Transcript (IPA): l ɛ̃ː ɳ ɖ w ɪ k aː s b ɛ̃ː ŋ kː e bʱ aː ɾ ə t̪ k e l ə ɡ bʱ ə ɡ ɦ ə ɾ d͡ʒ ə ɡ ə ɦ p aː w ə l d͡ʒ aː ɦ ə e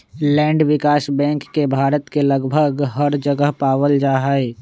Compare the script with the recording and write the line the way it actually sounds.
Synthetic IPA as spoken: l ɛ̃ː ɳ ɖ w ɪ k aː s b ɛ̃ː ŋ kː e bʱ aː ɾ ə t̪ k e l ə ɡ bʱ ə ɡ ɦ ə ɾ d͡ʒ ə ɡ ə ɦ p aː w ə l d͡ʒ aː ɦ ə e

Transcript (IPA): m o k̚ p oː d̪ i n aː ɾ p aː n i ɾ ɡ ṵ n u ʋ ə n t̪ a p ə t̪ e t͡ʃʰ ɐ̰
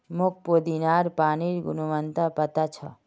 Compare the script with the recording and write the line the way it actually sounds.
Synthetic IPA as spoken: m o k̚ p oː d̪ i n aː ɾ p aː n i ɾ ɡ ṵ n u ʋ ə n t̪ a p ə t̪ a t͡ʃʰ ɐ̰

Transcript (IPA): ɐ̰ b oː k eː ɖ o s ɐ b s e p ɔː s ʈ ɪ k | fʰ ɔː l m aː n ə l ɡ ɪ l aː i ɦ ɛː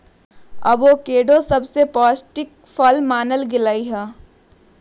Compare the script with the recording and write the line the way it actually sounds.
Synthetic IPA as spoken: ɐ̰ b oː k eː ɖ o s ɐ b s e p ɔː s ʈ ɪ k | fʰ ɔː l m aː n ə l ɡ ɪ l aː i ɦ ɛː

